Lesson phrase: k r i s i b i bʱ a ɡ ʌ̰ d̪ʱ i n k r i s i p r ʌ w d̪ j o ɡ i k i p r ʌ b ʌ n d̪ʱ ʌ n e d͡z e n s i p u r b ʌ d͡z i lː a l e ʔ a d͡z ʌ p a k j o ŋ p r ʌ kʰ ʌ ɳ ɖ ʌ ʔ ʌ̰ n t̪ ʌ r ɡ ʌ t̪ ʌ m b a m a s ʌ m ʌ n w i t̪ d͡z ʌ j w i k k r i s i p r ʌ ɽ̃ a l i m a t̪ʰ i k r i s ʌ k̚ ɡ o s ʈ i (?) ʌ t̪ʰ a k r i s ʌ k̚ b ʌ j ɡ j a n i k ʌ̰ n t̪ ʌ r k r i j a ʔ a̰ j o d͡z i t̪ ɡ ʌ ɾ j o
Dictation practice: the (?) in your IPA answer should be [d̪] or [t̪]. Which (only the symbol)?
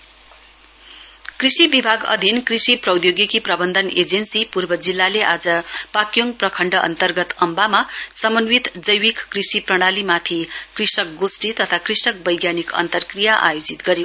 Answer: t̪